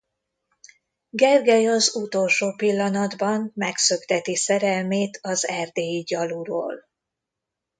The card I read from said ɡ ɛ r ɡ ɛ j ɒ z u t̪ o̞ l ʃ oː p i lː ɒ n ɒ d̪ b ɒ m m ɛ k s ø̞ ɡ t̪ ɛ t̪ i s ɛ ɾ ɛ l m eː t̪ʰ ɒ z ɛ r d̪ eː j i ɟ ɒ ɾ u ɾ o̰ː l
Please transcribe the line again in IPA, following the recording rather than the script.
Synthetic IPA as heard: ɡ ɛ r ɡ ɛ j ɒ z u t̪ o̞ l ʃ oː p i lː ɒ n ɒ d̪ b ɒ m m ɛ k s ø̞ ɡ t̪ ɛ t̪ i s ɛ ɾ ɛ l m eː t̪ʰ ɒ z ɛ r d̪ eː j i ɟ ɒ l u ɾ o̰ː l